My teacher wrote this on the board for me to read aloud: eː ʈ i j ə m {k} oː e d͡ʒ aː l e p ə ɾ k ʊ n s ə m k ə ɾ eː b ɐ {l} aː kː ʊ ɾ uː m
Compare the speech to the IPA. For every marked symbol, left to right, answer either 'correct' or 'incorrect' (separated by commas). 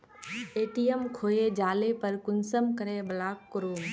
incorrect, correct